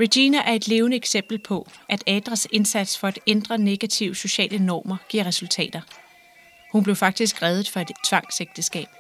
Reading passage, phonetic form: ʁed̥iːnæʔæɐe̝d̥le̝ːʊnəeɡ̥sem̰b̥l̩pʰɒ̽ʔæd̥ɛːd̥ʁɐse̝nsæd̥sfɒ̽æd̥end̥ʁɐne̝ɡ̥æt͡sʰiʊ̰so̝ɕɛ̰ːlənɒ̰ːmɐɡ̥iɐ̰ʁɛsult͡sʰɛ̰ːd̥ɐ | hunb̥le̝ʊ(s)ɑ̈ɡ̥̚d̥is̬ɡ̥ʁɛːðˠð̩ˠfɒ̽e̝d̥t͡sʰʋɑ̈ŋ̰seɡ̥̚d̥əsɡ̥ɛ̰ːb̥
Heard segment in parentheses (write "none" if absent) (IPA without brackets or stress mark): f